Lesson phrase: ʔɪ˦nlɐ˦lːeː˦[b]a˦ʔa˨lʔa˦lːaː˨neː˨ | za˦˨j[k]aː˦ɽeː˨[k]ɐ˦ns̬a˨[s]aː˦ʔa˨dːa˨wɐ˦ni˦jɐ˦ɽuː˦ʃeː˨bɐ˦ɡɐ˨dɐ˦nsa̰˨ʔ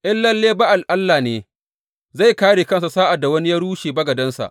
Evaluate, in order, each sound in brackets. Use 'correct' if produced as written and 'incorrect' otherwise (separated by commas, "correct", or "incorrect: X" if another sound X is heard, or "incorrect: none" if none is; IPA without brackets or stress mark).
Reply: correct, correct, correct, correct